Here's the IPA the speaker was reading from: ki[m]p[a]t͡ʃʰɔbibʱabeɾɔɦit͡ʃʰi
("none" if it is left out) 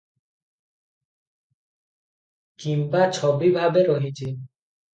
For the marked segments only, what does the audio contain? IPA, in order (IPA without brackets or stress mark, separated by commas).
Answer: m, a